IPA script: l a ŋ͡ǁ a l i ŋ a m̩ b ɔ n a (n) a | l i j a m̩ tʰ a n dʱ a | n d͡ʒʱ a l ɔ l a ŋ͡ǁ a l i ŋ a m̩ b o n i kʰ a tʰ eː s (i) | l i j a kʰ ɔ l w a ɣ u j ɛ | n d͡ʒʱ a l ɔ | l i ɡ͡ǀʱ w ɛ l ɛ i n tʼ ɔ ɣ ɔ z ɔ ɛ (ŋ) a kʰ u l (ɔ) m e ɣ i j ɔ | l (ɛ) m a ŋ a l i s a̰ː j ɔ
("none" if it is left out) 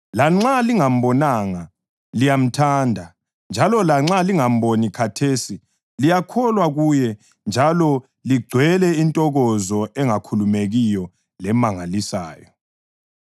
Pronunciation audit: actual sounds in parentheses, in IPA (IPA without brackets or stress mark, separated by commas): ŋ, i, ŋ, u, ɛ